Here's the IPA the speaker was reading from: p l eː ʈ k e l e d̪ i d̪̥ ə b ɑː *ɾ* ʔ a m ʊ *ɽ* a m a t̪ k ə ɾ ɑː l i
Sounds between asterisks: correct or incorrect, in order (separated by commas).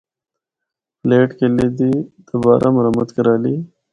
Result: correct, incorrect